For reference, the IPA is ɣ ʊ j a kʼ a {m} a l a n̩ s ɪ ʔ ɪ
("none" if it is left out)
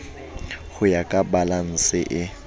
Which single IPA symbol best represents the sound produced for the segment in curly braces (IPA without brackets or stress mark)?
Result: b